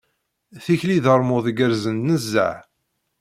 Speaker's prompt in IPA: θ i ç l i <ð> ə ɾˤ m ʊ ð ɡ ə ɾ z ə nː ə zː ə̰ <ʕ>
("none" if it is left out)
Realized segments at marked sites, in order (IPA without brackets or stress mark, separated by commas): ð, ʕ